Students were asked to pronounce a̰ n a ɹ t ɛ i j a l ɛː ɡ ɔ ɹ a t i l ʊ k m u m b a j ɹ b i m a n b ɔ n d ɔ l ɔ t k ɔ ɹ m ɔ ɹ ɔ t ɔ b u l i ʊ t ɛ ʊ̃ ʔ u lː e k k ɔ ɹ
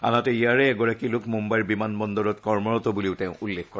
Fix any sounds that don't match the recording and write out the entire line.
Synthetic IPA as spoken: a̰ n a t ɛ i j a ɹ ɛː ɡ ɔ ɹ a k i l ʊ k m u m b a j ɹ b i m a n b ɔ n d ɔ ɹ ɔ t k ɔ ɹ m ɔ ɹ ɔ t ɔ b u l i ʊ t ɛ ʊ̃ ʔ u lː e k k ɔ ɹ